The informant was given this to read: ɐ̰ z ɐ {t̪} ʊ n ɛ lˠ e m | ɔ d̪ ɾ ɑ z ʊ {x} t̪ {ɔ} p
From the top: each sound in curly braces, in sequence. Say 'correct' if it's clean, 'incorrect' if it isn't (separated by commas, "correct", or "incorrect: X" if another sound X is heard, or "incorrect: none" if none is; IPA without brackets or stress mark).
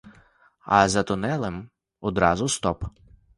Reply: correct, incorrect: s, correct